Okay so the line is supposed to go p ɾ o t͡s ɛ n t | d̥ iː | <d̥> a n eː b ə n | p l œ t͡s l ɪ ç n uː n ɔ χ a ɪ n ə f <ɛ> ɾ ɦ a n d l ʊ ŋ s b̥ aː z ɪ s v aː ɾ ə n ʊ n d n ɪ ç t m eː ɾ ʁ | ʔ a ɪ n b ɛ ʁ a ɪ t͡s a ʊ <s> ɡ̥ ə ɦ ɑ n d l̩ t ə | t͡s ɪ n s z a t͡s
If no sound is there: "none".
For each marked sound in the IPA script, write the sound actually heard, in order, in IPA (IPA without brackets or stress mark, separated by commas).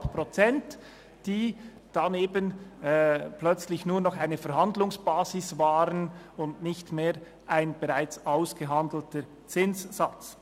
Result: d̥, ɛ, s